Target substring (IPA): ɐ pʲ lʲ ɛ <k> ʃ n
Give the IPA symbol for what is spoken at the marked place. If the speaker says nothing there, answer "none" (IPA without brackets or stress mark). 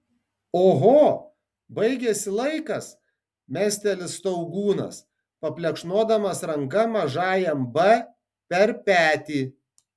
k